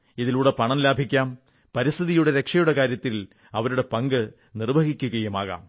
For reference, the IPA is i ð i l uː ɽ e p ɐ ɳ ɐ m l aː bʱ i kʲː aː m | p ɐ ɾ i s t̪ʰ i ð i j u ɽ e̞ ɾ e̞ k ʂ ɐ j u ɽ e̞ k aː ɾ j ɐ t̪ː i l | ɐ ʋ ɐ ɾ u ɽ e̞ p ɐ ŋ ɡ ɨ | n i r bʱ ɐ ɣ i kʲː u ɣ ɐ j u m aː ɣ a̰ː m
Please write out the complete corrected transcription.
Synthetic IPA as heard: i ð i l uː ɽ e p ɐ ɳ ɐ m l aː bʱ i kʲː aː m | p ɐ ɾ i s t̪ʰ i ð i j u ɽ e̞ ɾ e̞ k ʂ ɐ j u ɽ e̞ k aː ɾ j ɐ t̪ː i l | ɐ ʋ ɐ ɾ u ɽ e̞ p ɐ ŋ ɡ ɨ | n i r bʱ ɐ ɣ i kʲː u ɣ ɐ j u m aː ɣ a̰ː m